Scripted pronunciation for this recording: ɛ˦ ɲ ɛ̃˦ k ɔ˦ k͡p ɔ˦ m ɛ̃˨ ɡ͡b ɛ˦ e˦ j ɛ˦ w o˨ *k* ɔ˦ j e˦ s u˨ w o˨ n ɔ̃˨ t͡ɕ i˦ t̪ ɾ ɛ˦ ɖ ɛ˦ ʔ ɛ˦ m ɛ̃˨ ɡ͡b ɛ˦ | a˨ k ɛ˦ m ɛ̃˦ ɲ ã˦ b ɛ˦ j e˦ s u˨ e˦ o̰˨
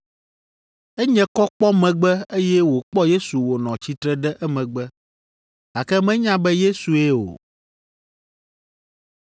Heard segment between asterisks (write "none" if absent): k͡p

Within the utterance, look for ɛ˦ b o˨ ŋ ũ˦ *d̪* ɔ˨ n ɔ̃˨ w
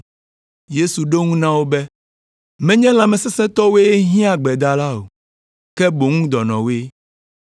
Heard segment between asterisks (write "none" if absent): d̪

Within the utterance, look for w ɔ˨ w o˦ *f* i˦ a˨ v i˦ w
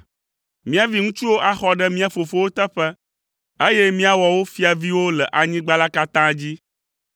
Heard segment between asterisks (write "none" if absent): f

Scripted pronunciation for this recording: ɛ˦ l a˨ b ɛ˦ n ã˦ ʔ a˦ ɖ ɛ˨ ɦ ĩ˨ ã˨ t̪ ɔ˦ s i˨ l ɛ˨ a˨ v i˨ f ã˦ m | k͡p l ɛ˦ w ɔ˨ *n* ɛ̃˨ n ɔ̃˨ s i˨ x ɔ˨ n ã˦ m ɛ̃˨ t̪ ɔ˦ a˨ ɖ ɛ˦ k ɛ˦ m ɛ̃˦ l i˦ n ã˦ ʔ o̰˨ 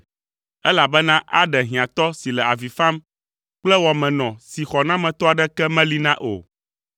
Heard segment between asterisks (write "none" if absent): m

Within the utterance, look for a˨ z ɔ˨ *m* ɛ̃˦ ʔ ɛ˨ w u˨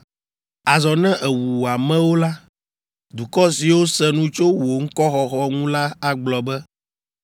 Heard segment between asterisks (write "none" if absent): n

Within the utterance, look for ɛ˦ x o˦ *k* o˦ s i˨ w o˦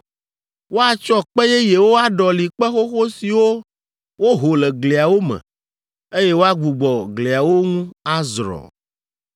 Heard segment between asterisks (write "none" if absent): x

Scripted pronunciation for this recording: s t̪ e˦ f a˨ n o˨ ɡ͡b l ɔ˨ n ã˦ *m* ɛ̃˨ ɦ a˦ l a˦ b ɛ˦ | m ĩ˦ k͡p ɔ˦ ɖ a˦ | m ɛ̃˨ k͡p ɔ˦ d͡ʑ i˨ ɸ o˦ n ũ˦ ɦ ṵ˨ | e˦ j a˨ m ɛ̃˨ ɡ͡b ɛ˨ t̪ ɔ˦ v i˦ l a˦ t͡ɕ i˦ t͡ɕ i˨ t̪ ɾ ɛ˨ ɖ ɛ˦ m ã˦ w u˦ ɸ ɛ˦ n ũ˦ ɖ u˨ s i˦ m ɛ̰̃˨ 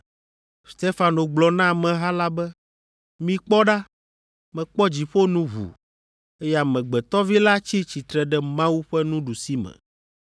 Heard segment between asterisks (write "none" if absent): m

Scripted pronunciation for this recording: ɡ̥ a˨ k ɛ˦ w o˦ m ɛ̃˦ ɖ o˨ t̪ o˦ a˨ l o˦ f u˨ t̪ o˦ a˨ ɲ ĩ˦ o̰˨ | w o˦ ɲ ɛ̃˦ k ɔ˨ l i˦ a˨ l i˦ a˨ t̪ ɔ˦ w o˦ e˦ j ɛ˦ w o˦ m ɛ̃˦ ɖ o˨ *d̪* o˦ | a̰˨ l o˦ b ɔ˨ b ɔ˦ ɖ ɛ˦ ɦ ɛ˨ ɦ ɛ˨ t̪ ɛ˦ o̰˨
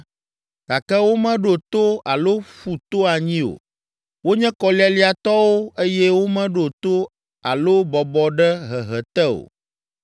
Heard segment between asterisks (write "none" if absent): t̪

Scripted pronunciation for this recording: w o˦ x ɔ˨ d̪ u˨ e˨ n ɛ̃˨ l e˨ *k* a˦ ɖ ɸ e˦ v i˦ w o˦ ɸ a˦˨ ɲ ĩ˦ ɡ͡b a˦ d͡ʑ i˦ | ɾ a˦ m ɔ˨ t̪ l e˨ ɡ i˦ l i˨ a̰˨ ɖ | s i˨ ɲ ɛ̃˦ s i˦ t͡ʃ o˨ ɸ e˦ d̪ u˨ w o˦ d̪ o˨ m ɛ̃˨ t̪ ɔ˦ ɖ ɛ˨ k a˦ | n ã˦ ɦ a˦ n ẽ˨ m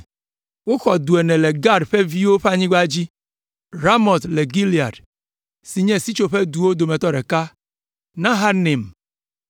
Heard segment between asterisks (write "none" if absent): ɡ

